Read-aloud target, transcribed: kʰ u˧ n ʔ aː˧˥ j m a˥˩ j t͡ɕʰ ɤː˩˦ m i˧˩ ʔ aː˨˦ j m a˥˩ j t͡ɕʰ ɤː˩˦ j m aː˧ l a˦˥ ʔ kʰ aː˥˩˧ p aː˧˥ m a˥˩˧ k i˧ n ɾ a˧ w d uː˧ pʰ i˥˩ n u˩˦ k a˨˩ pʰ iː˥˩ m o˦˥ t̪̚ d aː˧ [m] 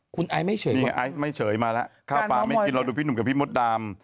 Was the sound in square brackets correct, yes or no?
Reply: yes